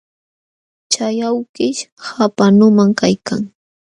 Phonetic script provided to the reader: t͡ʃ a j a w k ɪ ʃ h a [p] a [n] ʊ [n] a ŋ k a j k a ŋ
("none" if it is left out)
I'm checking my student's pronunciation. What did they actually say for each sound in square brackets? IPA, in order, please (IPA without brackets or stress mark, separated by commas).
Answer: p, n, m